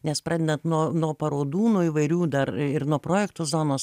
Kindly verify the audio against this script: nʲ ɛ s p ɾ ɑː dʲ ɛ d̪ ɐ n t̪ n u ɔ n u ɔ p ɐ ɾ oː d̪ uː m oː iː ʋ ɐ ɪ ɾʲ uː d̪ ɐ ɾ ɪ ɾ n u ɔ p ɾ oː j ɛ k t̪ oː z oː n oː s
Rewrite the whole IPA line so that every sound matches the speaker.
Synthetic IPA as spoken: nʲ ɛ s p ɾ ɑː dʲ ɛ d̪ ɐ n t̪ n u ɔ n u ɔ p ɐ ɾ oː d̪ uː n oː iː ʋ ɐ ɪ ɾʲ uː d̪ ɐ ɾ ɪ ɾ n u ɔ p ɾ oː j ɛ k t̪ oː z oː n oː s